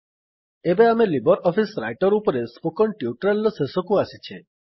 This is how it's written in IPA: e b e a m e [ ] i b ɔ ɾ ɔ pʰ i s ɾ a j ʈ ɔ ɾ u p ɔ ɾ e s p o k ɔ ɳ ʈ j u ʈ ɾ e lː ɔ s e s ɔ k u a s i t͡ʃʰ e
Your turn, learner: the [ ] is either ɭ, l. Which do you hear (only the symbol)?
l